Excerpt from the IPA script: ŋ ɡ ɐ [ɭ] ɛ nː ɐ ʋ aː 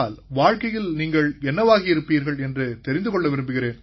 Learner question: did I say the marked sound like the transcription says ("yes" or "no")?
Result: yes